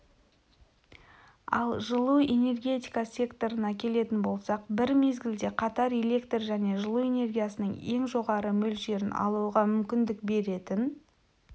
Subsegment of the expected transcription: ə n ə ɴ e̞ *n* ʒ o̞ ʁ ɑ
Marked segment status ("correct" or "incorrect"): incorrect